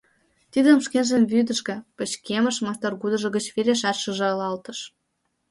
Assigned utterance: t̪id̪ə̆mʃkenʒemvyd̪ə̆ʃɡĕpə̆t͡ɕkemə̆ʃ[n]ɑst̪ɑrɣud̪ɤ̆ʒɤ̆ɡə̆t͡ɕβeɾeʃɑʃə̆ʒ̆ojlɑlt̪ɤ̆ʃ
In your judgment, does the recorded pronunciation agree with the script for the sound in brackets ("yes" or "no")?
no